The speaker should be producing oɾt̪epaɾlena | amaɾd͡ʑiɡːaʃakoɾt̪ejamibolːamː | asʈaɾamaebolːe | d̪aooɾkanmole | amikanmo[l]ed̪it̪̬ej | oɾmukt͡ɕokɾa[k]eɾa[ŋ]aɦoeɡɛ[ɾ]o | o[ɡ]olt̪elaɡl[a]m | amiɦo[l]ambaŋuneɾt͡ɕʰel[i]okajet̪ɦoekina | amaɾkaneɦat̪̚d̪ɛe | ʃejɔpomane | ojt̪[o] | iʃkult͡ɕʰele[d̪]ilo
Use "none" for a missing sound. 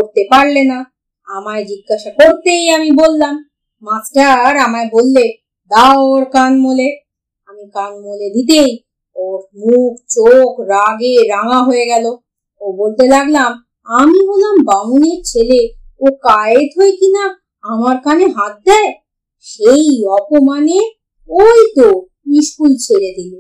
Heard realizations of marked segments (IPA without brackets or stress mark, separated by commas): l, ɡ, ŋ, l, b, a, l, e, o, d̪